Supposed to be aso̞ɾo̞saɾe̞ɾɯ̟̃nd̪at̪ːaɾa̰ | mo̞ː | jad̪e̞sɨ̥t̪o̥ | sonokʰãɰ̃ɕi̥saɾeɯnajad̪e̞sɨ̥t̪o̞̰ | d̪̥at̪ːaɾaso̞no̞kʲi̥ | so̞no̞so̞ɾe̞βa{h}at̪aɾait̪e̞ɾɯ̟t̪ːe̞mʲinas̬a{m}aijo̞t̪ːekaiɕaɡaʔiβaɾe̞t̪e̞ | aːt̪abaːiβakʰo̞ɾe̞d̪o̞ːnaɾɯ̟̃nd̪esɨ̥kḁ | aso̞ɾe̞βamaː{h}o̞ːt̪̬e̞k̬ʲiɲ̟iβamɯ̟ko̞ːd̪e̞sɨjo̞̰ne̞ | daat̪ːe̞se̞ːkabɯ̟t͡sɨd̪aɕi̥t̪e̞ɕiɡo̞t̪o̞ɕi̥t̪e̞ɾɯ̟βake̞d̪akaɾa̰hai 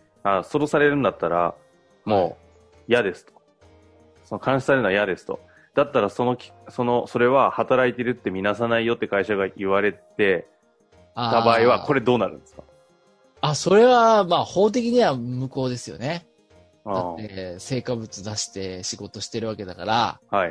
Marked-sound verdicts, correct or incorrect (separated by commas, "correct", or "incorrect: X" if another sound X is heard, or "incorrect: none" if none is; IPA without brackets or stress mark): correct, incorrect: n, correct